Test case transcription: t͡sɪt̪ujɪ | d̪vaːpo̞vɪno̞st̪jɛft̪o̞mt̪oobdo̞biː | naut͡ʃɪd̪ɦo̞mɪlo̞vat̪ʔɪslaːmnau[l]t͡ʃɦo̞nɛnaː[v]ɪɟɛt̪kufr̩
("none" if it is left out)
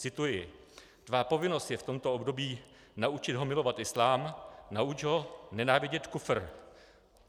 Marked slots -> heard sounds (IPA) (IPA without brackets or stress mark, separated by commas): none, v